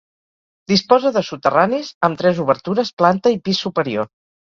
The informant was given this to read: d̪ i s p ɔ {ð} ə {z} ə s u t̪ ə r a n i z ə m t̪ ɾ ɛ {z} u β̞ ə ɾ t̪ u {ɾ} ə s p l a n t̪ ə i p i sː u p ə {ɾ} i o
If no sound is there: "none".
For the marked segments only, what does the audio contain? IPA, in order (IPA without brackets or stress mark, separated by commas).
z, ð, z, ɾ, ɾ